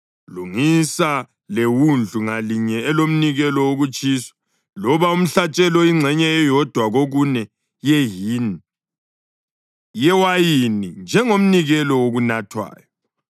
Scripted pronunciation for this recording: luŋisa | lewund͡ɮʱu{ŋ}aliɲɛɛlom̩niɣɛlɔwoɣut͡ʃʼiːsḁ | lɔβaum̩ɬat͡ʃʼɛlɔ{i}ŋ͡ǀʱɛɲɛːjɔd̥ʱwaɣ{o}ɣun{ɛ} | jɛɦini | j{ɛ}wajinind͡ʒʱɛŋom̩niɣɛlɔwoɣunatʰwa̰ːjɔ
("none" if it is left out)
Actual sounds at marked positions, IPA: ŋ, i, o, ɛ, ɛ

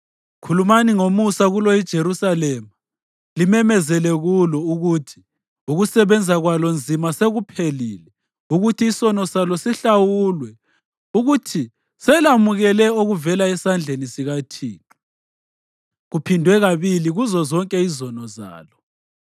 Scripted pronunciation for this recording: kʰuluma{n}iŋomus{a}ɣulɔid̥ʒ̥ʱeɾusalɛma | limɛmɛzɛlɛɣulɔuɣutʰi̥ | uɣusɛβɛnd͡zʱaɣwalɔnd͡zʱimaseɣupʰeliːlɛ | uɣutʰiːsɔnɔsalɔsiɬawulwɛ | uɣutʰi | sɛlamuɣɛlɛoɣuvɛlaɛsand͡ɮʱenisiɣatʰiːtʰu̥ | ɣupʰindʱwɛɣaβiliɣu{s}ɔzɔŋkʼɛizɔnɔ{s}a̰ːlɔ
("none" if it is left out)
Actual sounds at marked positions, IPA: n, a, z, z

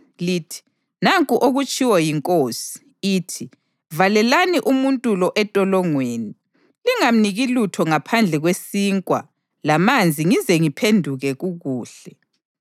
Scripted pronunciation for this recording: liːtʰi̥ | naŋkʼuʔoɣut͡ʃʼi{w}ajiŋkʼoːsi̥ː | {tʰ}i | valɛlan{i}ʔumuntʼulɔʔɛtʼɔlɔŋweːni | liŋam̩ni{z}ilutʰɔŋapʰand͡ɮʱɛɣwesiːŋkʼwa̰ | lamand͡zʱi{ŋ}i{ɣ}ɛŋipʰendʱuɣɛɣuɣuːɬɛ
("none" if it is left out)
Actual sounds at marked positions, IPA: w, tʰ, i, ɣ, ŋ, z

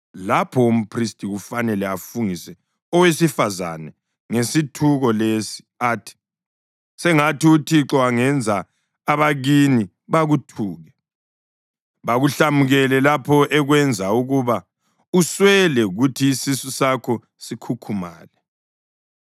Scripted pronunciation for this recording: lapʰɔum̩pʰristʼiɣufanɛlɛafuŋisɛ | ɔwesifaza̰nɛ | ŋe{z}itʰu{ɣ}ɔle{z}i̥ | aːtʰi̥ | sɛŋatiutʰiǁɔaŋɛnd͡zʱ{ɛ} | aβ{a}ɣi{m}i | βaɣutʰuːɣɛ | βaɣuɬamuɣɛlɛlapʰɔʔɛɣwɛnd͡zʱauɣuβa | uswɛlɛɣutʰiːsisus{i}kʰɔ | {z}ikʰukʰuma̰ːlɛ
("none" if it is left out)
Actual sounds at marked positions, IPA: s, ɣ, s, a, a, n, a, s

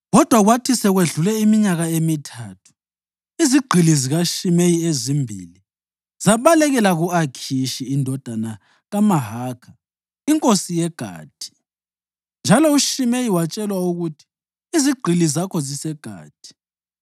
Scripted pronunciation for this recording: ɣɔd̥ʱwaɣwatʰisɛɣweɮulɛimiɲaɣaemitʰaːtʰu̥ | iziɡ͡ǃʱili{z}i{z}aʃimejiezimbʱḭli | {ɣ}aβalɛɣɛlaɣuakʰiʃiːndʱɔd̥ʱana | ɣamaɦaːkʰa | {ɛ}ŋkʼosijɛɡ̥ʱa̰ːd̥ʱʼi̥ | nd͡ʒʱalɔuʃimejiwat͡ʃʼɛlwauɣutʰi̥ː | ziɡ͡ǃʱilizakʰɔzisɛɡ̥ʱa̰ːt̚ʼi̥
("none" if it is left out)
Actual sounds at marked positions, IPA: z, ɣ, z, i

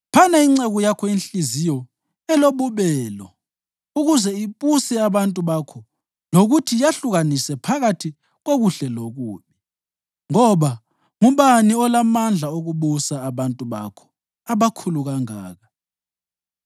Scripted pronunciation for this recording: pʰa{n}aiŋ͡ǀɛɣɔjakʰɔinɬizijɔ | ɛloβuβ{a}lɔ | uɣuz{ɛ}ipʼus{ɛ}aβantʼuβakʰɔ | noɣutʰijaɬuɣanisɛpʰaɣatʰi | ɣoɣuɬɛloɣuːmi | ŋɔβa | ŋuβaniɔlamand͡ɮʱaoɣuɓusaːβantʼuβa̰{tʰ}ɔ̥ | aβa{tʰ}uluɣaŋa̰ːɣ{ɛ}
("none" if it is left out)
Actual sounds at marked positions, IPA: n, ɛ, ɛ, ɛ, kʰ, kʰ, a

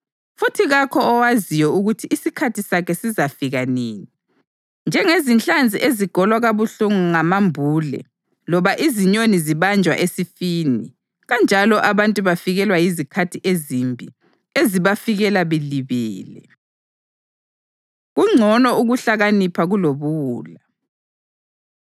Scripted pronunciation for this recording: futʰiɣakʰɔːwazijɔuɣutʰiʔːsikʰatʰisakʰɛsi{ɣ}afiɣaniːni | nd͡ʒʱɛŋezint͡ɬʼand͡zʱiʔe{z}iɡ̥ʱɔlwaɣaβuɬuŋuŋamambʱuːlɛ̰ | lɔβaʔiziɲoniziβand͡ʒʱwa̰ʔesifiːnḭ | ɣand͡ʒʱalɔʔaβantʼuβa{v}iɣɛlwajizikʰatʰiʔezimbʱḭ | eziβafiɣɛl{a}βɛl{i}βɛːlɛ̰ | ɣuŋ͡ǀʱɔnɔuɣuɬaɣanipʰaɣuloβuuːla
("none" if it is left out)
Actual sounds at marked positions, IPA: z, z, f, a, i

